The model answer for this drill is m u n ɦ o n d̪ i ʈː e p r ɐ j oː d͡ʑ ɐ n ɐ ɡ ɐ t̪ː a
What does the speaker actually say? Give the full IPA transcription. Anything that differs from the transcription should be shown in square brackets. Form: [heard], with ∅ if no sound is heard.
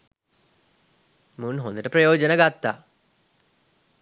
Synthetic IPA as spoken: m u n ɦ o n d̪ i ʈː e p r ɐ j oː d͡ʑ ɐ n ɐ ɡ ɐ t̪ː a